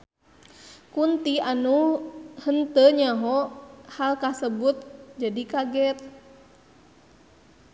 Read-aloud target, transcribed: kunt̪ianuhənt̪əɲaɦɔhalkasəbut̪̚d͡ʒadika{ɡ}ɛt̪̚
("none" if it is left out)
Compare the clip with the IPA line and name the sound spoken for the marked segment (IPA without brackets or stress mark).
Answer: ɡ